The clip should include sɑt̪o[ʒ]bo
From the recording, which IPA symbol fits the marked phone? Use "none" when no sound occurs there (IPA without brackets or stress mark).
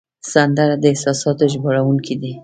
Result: ʒ